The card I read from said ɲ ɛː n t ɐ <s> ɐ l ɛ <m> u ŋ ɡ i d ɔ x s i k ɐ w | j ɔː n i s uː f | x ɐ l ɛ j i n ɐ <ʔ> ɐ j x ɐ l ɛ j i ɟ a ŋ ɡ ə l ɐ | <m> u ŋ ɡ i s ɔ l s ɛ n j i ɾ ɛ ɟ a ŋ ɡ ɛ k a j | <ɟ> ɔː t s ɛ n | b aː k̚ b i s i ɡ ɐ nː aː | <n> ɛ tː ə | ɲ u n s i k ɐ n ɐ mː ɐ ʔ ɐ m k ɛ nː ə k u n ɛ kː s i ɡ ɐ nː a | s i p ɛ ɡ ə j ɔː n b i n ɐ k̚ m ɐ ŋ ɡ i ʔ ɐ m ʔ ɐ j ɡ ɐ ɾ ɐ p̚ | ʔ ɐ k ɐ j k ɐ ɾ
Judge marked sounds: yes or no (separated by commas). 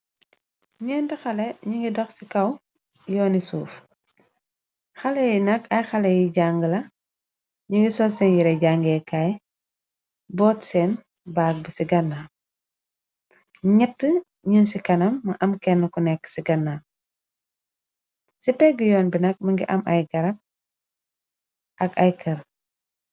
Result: no, no, no, no, no, no